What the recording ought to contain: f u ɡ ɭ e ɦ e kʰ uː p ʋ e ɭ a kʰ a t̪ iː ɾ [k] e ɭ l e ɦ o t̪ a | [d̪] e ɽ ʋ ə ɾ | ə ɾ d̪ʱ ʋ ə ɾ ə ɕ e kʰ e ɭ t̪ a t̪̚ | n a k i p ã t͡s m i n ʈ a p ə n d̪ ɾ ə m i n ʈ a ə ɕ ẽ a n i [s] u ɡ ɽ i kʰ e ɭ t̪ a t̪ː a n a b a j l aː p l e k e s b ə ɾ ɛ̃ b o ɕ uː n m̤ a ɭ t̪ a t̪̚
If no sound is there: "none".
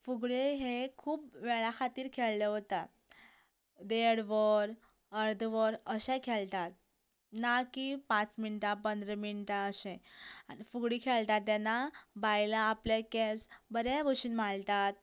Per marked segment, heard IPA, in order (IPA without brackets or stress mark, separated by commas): kʰ, d̪, f